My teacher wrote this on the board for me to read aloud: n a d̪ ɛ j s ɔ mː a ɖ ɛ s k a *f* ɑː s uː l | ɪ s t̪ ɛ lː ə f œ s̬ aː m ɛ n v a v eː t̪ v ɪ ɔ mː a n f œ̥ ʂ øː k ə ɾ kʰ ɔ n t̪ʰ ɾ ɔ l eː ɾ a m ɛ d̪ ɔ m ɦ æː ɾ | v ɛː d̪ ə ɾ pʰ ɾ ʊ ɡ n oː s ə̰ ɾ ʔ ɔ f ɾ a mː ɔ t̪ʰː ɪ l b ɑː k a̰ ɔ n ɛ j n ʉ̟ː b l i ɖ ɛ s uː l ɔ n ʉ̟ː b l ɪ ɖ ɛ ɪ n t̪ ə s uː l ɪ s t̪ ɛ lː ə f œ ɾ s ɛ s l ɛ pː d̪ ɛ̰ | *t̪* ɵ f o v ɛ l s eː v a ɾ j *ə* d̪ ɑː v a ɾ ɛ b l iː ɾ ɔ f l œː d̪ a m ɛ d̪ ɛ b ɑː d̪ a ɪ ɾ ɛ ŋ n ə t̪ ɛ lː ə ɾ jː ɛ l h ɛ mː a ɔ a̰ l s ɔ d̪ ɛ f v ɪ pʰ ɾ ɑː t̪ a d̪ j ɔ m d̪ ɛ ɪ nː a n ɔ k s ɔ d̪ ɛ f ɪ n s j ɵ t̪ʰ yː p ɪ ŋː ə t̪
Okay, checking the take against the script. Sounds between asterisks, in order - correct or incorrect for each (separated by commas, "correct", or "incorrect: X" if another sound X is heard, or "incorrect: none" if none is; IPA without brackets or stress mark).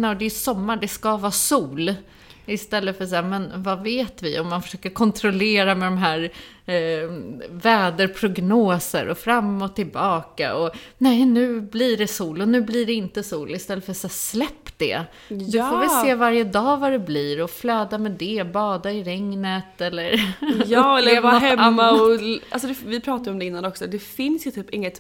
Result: incorrect: v, incorrect: d̪, correct